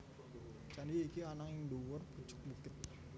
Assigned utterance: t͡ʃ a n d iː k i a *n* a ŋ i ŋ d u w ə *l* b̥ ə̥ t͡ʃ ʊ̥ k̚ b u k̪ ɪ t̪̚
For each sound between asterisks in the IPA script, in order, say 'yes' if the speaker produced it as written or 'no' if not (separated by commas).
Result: yes, no